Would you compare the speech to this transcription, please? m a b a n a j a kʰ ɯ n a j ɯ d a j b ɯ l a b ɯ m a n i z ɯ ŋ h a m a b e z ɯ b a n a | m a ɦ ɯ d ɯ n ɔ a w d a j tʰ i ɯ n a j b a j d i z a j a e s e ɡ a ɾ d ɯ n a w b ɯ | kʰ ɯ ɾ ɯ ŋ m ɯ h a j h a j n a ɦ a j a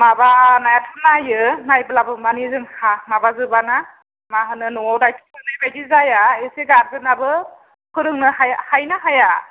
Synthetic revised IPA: m a b a n a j a tʰ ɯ n a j ɯ n a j b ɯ l a b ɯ m a n i z ɯ ŋ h a m a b a z ɯ b a n a | m a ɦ ɯ n ɯ n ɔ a w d a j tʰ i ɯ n a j b a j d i z a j a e s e ɡ a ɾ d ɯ n a b ɯ | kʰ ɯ ɾ ɯ ŋ n ɯ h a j h a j n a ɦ a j a

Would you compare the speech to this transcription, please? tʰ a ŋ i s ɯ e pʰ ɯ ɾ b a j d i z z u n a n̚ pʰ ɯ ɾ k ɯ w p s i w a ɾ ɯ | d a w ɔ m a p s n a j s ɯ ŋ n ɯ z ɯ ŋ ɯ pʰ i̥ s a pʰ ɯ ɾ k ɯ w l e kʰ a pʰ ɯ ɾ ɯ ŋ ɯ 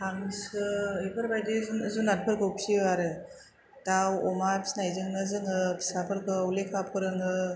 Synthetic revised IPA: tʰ a ŋ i s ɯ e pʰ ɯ ɾ b a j d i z z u n a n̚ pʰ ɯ ɾ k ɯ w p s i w a ɾ ɯ | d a w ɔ m a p s n a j z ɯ ŋ n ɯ z ɯ ŋ ɯ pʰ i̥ s a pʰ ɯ ɾ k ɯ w l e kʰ a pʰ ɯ ɾ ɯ ŋ ɯ

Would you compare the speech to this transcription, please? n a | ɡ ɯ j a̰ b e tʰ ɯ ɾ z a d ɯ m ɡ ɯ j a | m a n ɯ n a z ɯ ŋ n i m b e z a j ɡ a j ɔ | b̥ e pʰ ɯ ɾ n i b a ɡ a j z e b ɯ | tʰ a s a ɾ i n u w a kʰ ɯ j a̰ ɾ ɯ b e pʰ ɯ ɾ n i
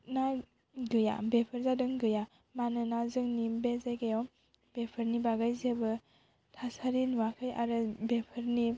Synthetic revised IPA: n a | ɡ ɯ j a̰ b e pʰ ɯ ɾ z a d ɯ ŋ ɡ ɯ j a | m a n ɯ n a z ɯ ŋ n i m b e z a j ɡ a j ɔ | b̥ e pʰ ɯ ɾ n i b a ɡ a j z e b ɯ | tʰ a s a ɾ i n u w a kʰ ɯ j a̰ ɾ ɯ b e pʰ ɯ ɾ n i

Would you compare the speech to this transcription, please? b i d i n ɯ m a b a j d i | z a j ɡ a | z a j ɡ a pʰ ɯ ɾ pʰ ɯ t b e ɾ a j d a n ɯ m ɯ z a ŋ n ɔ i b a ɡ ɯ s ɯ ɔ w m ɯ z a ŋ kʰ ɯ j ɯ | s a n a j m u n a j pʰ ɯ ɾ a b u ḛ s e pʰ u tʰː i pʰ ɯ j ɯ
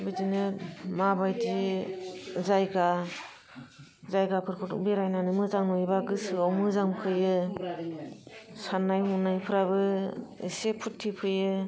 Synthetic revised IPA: b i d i n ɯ m a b a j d i | z a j ɡ a | z a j ɡ a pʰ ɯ ɾ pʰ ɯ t b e ɾ a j n a n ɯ m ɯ z a ŋ n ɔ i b a ɡ ɯ s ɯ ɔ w m ɯ z a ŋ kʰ ɯ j ɯ | s a n a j m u n a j pʰ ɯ ɾ a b ɯ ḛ s e pʰ u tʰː i pʰ ɯ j ɯ

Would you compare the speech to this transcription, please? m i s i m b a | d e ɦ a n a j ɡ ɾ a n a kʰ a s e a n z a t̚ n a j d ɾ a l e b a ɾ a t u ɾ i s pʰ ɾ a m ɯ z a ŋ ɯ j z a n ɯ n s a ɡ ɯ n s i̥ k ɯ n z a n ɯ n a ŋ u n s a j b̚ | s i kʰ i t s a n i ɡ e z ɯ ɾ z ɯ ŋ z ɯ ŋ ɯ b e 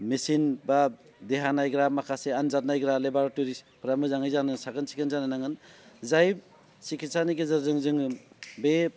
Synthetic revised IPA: m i s i n b a | d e ɦ a n a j ɡ ɾ a m a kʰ a s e a n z a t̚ n a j ɡ ɾ a l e b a ɾ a t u ɾ i s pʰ ɾ a m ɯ z a ŋ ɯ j z a n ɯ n s a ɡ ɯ n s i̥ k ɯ n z a n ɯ n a ŋ ɯ n z a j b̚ | s i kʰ i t s a n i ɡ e z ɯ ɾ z ɯ ŋ z ɯ ŋ ɯ b e

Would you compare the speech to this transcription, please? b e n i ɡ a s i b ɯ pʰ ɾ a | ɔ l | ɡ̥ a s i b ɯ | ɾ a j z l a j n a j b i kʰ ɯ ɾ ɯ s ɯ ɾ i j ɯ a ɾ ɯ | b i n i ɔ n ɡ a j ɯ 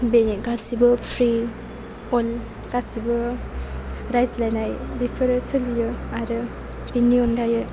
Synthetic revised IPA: b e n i ɡ a s i b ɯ pʰ ɾ i | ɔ l | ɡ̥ a s i b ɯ | ɾ a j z l a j n a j b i pʰ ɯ ɾ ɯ s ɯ l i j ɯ a ɾ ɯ | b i n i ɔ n ɡ a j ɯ

